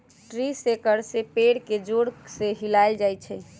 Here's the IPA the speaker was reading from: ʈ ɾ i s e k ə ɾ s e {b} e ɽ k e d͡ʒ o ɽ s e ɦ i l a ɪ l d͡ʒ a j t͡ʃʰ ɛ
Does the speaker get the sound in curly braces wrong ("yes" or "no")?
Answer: yes